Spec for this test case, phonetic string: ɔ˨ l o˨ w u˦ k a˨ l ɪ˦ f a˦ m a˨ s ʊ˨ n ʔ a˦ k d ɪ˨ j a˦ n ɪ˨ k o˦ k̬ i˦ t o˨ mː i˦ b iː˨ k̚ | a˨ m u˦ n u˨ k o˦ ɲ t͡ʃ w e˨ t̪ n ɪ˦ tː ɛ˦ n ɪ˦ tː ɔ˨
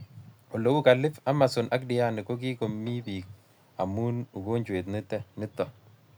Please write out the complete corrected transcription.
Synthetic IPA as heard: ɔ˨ l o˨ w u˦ k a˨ l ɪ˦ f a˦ m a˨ s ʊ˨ n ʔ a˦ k d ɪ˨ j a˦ n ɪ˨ k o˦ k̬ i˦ k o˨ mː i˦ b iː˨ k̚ | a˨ m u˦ n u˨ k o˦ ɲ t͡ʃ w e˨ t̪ n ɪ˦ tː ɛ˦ n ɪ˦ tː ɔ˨